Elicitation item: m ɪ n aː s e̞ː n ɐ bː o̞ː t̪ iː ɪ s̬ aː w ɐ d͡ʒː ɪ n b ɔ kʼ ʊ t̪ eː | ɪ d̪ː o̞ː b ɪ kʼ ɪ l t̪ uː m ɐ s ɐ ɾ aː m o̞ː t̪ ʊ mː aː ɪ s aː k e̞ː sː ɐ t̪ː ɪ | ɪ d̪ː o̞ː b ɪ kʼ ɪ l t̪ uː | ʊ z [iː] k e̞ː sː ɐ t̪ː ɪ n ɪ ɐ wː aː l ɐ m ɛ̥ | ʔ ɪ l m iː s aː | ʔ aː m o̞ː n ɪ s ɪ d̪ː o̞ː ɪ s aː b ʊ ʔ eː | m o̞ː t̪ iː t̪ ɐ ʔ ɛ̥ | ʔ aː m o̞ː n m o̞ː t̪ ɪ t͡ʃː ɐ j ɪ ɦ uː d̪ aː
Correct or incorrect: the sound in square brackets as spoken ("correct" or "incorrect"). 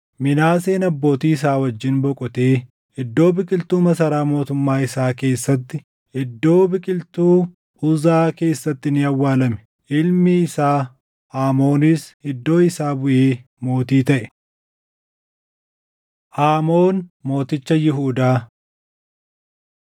incorrect